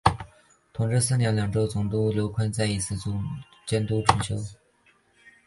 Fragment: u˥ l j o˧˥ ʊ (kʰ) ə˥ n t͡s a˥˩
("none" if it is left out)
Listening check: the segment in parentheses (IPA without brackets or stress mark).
kʰ